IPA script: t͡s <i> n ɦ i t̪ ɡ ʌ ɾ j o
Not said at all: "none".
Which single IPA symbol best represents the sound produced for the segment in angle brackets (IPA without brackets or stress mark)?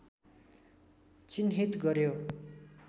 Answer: i